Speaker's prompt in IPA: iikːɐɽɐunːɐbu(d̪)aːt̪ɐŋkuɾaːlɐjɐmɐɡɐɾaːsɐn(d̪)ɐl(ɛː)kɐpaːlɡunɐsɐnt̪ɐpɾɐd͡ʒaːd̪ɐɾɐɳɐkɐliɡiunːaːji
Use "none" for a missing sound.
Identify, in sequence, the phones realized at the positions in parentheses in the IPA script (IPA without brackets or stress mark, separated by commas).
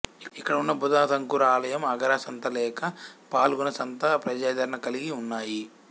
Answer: d̪, t̪, ɛː